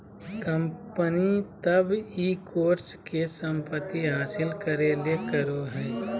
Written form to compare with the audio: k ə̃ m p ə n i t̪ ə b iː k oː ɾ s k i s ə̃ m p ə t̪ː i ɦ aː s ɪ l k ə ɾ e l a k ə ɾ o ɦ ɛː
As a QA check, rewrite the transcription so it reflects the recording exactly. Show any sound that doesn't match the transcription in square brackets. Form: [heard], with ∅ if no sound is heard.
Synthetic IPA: k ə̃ m p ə n i t̪ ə b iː k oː ɾ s k [e] s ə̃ m p ə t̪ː i ɦ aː s ɪ l k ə ɾ e l [e] k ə ɾ o ɦ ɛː